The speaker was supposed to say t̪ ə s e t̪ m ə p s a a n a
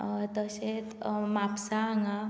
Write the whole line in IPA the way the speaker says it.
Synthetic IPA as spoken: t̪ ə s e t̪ m a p s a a ŋ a